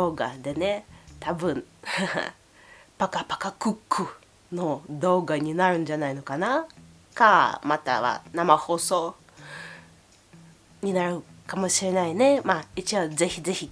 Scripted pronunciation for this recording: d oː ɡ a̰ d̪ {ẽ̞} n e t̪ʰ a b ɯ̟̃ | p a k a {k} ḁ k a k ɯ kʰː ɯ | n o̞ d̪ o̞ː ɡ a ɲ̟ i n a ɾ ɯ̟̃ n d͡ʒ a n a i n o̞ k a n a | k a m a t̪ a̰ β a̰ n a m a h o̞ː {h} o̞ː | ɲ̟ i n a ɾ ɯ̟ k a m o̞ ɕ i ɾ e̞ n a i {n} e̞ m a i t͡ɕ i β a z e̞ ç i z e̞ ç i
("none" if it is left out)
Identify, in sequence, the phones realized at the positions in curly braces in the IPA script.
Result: e̞, p, s, n

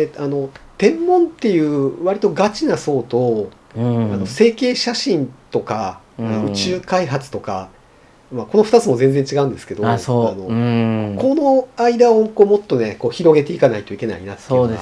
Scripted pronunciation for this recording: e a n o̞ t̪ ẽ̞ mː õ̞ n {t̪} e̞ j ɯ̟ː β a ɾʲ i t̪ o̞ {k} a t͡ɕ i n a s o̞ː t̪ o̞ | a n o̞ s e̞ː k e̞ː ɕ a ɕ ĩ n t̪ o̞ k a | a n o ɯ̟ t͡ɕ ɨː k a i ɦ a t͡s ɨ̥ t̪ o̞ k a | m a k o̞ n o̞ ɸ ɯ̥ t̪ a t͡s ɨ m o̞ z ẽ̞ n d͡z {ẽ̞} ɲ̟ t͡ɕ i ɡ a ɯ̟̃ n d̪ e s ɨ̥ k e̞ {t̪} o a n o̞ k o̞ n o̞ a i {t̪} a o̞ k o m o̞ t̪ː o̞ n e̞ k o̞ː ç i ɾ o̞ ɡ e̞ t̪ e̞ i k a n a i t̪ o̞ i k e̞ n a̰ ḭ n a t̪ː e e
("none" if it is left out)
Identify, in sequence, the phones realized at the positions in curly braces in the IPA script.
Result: t̪, ɡ, e̞, d̪, d̪

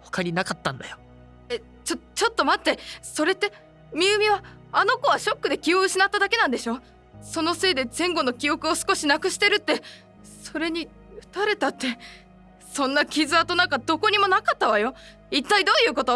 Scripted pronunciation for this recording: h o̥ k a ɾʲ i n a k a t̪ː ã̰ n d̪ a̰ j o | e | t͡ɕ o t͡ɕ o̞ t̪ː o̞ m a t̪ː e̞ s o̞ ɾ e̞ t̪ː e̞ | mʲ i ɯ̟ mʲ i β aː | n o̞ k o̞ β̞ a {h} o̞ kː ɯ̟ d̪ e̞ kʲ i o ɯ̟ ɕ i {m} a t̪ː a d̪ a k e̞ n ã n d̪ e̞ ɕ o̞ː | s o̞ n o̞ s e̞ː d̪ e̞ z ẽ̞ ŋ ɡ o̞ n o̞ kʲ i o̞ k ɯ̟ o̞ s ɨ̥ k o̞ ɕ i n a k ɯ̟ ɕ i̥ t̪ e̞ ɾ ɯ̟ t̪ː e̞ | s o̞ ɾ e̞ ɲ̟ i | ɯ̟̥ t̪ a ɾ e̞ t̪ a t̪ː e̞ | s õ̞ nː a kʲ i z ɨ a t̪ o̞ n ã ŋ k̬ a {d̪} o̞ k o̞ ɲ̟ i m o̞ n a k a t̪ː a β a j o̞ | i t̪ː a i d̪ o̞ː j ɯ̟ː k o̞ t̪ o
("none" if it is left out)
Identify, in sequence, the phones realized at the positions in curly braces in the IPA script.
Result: ɕ, n, d̪

